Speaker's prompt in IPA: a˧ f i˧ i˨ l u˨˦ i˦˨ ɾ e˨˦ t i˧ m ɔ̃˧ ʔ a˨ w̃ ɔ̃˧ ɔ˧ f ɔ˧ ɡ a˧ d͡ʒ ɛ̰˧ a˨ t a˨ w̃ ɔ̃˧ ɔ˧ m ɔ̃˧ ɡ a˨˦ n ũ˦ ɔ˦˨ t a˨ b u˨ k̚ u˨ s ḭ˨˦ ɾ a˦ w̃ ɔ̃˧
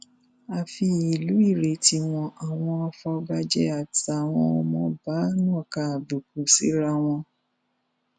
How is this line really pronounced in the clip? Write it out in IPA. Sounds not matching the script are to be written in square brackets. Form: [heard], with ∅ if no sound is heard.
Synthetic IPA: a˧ f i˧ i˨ l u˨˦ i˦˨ ɾ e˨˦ t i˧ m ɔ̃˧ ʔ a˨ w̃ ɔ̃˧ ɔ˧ f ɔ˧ ɡ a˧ d͡ʒ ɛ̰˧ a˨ t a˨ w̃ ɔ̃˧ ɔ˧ m ɔ̃˧ [b] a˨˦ n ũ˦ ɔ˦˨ [k] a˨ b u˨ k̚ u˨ s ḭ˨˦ ɾ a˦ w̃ ɔ̃˧